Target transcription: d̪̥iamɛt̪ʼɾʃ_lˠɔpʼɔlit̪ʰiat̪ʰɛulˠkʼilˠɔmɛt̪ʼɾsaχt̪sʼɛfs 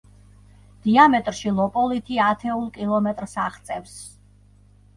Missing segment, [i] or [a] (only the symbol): i